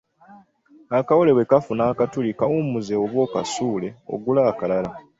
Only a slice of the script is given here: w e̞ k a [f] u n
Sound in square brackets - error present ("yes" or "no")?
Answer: no